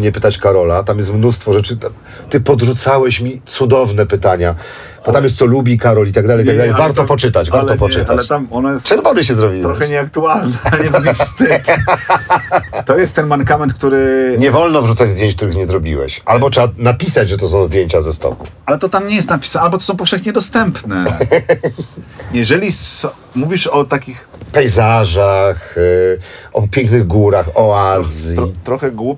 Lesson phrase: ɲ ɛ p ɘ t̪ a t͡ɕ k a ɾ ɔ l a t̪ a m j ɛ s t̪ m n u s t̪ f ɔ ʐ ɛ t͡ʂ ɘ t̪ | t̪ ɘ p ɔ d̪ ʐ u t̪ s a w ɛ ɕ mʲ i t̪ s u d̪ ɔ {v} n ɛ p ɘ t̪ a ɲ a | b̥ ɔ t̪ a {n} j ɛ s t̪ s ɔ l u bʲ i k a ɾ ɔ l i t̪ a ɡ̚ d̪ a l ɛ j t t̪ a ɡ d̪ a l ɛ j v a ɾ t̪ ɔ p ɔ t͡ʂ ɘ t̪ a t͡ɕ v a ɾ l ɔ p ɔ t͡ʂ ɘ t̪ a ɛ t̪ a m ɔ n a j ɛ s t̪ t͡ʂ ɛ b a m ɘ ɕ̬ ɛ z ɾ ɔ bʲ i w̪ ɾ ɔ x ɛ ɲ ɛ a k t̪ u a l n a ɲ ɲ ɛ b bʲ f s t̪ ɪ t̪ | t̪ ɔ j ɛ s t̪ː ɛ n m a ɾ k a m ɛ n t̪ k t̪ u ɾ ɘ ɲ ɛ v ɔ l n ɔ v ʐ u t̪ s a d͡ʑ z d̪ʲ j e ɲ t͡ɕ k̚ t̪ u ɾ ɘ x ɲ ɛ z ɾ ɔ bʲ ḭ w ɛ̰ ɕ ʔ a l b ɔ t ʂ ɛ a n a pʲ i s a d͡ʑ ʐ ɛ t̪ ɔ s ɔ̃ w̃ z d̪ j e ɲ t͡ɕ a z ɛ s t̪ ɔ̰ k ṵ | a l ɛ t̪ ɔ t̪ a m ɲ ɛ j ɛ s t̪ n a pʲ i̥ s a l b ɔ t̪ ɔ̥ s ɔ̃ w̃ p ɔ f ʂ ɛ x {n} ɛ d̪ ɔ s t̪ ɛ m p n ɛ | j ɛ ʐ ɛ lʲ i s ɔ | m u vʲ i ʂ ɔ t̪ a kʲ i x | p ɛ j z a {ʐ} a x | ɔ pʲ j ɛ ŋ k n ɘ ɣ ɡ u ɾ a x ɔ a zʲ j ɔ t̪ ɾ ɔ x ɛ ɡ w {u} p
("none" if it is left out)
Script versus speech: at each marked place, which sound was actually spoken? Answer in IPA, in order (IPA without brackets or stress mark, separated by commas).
v, m, ɲ, ʐ, u